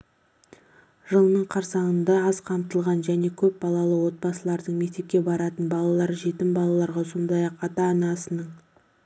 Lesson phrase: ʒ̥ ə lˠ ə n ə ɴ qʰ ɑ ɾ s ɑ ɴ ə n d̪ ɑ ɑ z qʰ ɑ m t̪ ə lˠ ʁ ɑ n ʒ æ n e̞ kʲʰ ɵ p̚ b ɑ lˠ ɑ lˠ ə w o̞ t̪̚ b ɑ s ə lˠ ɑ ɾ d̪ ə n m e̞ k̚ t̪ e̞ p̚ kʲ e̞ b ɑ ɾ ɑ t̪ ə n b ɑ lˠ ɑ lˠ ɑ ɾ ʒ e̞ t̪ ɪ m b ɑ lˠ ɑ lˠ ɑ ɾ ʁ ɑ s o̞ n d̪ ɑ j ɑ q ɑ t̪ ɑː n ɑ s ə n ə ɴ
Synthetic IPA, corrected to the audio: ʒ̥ ə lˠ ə n ə ɴ qʰ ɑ ɾ s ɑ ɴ ə n d̪ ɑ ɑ z qʰ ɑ m t̪ ə lˠ ʁ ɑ n ʒ æ n e̞ kʲʰ ɵ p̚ b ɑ lˠ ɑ lˠ ə w o̞ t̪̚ b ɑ s ə lˠ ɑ ɾ d̪ ə ɴ m e̞ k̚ t̪ e̞ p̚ kʲ e̞ b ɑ ɾ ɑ t̪ ə n b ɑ lˠ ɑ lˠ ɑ ɾ ʒ e̞ t̪ ɪ m b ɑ lˠ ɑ lˠ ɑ ɾ ʁ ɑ s o̞ n d̪ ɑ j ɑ q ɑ t̪ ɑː n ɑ s ə n ə ɴ